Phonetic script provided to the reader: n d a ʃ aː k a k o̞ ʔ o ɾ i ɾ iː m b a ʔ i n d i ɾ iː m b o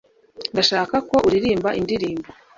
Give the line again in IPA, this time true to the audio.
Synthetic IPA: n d a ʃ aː k a k o̞ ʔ u ɾ i ɾ iː m b a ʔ i n d i ɾ iː m b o